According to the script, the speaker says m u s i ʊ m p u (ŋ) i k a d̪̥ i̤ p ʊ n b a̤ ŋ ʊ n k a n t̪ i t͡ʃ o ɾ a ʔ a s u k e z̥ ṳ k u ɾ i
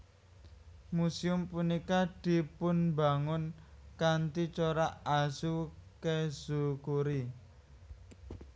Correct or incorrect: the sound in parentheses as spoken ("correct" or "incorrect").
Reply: incorrect